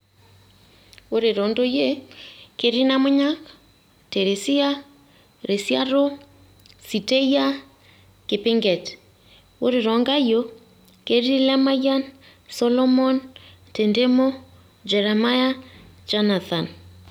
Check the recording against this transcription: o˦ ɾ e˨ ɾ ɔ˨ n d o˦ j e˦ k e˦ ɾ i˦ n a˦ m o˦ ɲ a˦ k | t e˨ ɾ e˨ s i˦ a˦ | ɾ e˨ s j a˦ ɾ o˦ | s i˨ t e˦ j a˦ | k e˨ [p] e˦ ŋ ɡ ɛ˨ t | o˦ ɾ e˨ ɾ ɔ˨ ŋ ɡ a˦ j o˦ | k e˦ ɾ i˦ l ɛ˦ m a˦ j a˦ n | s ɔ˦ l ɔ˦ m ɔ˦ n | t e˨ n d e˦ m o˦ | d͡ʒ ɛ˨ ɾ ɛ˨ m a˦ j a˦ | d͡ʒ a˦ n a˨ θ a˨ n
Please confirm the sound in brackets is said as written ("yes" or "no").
yes